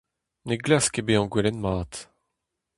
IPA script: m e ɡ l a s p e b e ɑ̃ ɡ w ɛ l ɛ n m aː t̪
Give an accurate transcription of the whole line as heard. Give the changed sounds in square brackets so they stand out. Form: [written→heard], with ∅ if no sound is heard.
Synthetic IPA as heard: [m→n] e ɡ l a s [p→k] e b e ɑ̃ ɡ w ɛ l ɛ n m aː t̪